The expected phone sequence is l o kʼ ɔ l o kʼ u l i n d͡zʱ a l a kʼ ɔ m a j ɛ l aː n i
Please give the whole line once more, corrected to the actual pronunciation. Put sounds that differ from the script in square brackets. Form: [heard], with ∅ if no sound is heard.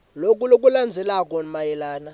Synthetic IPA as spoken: l o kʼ [u] l o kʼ u l [a] n d͡zʱ [ɛ] l a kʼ ɔ m a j ɛ l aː n [a]